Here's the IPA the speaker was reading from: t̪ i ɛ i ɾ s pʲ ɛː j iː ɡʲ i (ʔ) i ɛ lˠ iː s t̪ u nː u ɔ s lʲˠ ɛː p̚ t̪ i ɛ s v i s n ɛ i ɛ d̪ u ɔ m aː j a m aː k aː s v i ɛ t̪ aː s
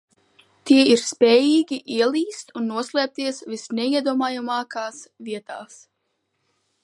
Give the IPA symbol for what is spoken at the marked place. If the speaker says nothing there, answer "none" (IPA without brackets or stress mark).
ʔ